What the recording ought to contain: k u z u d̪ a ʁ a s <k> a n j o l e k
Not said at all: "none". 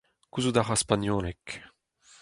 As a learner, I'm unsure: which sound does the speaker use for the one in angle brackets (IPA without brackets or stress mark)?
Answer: p